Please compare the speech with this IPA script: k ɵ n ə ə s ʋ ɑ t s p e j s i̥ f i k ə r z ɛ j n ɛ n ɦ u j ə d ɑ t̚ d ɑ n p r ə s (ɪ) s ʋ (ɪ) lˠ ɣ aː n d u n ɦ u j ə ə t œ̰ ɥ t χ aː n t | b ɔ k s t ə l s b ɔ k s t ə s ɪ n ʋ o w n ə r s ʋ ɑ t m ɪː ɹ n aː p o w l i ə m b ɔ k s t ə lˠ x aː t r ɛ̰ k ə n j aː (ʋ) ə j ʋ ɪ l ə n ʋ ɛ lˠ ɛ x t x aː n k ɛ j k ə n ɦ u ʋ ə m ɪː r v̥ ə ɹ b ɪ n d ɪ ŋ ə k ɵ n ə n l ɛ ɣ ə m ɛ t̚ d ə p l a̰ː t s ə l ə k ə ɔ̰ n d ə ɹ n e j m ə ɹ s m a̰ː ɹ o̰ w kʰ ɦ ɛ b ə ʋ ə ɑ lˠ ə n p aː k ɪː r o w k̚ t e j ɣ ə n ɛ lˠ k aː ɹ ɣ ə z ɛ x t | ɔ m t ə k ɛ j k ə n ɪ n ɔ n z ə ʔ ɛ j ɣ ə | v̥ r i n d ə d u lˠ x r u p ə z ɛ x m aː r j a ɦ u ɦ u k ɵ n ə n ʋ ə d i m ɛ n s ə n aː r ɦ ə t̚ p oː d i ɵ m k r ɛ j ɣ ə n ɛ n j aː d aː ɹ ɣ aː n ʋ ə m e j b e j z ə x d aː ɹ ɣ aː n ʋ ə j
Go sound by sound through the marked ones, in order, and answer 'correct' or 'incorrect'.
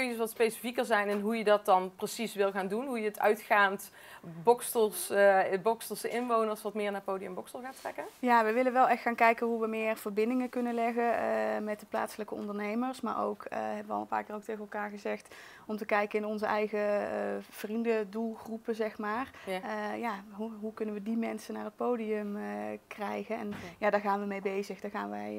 incorrect, correct, correct

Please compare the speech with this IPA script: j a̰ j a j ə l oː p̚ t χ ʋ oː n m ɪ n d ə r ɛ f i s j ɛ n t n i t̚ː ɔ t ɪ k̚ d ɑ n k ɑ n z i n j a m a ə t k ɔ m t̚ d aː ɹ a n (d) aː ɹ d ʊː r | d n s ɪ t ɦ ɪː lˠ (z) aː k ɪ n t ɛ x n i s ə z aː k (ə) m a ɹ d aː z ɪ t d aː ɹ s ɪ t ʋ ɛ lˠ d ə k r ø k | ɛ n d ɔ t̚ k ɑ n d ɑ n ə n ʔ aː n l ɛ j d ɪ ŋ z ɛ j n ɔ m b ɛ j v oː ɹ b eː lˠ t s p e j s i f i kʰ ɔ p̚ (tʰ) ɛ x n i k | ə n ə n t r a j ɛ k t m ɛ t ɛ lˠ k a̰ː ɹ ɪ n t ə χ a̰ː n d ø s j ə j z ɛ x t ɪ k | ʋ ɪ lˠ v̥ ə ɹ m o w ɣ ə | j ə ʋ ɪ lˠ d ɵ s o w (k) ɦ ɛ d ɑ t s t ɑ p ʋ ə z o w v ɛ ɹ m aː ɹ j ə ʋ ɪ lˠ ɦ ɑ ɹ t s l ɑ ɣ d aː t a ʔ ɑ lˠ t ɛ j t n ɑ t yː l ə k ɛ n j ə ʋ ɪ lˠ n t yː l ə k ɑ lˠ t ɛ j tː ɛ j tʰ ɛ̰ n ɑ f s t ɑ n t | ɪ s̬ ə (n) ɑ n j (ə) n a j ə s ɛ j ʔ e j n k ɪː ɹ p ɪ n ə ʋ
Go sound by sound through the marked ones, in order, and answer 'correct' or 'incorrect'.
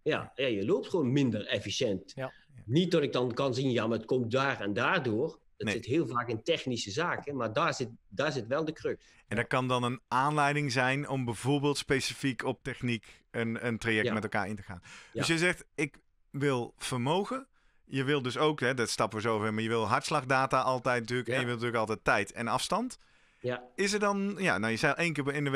correct, incorrect, correct, incorrect, correct, incorrect, incorrect

